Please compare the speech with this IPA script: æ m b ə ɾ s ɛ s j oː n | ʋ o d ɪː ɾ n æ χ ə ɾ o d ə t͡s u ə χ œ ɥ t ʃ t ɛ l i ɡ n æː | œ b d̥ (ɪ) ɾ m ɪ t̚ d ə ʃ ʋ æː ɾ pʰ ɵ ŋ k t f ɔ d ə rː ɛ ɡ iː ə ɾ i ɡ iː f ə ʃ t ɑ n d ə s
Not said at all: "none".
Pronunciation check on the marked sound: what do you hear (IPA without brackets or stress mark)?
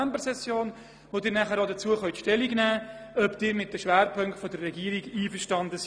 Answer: ɪː